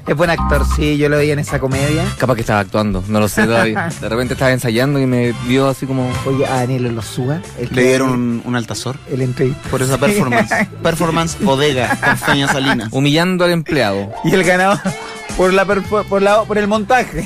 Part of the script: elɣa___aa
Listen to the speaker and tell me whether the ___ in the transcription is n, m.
n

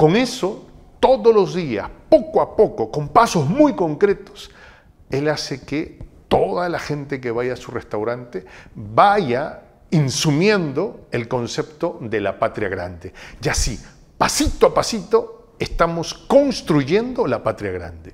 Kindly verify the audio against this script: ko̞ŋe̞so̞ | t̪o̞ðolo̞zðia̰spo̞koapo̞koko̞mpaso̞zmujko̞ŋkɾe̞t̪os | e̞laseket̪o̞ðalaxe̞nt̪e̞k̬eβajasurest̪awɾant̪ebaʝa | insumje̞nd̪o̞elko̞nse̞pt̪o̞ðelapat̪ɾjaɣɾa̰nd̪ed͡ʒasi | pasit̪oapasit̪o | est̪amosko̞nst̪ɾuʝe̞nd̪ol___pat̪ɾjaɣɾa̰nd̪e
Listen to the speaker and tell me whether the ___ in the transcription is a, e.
a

